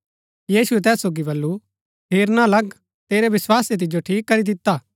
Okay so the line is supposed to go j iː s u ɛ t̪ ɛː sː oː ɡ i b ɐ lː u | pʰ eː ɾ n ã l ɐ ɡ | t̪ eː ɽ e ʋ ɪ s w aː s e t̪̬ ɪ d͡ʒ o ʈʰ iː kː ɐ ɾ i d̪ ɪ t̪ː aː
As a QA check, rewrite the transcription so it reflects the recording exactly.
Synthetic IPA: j iː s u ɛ t̪ ɛː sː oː ɡ i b ɐ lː u | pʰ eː ɾ n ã l ɐ ɡ | t̪ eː ɾ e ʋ ɪ s w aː s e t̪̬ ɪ d͡ʒ o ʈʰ iː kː ɐ ɾ i d̪ ɪ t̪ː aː